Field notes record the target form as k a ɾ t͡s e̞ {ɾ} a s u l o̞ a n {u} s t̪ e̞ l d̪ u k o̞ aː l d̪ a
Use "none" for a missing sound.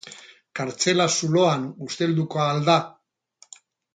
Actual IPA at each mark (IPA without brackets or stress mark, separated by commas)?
l, u